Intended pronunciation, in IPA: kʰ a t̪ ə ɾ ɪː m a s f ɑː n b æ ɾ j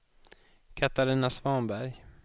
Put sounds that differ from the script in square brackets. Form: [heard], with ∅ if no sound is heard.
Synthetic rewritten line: kʰ a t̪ [a] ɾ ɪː [n] a s [v] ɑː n b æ ɾ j